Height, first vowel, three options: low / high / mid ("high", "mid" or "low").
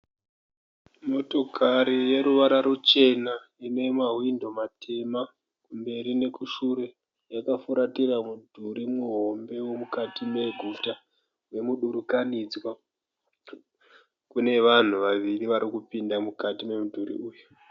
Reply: mid